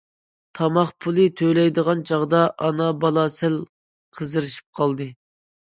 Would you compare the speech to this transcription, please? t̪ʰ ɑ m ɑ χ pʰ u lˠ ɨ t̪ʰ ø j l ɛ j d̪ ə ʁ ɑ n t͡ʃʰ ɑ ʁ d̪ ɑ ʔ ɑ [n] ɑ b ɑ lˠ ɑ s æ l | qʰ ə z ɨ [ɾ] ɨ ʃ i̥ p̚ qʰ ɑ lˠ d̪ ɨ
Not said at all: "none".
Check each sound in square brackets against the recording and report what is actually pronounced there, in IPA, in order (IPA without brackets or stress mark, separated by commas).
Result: n, ɾ